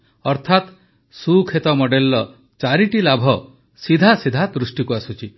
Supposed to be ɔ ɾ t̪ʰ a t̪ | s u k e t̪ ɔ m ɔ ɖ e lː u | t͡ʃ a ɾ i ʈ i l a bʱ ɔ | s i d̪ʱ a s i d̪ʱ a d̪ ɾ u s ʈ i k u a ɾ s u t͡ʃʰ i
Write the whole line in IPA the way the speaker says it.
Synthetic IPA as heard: ɔ ɾ t̪ʰ a t̪ | s u kʰ e t̪ ɔ m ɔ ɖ e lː ɔ | t͡ʃ a ɾ i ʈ i l a bʱ ɔ | s i d̪ʱ a s i d̪ʱ a d̪ ɾ u s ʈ i k u a s u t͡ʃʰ i